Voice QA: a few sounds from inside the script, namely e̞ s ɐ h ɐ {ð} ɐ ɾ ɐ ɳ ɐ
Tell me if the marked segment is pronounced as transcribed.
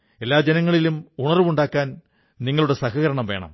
no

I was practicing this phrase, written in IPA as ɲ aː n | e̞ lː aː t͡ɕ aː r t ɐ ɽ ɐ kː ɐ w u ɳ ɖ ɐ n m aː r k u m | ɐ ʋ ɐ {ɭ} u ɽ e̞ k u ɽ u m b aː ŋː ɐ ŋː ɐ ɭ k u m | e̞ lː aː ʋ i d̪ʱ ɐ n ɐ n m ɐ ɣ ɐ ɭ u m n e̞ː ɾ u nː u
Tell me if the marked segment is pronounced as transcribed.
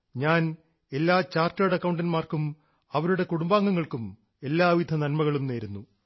no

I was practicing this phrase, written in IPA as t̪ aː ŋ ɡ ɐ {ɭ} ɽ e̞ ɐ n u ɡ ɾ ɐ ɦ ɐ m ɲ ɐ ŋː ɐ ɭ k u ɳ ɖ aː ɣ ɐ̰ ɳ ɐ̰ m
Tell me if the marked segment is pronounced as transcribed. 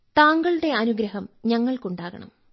yes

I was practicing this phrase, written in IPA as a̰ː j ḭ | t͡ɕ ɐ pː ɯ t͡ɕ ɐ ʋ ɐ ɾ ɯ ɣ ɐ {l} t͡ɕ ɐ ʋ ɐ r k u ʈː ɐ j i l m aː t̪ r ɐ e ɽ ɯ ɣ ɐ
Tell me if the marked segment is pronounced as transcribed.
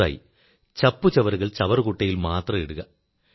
no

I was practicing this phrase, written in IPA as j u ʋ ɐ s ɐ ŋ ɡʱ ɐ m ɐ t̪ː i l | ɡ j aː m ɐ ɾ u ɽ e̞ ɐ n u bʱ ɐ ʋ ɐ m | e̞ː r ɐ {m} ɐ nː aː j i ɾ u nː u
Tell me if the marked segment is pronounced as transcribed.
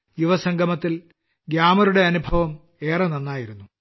no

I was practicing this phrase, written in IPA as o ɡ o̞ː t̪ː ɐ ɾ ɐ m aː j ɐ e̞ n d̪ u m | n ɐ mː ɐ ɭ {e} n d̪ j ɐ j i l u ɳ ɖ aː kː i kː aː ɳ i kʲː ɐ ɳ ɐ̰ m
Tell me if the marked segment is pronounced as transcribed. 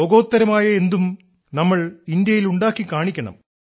no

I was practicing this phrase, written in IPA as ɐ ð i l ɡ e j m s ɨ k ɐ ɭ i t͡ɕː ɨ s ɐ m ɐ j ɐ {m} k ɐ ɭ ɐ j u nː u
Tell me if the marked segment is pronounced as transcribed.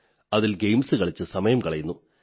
yes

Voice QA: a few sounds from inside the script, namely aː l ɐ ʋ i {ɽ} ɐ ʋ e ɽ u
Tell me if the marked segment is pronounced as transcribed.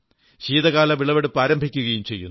no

